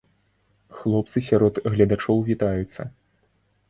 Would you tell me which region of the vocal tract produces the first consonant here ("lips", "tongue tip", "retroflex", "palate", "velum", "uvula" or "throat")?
velum